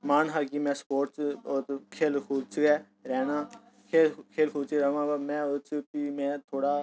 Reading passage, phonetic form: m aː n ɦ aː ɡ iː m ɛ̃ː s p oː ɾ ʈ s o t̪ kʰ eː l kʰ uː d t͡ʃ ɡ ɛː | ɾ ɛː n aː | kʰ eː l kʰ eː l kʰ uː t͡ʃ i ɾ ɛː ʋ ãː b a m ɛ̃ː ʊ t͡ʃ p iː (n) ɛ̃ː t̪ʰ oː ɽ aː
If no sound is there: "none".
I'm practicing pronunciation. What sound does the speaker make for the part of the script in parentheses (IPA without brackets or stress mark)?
m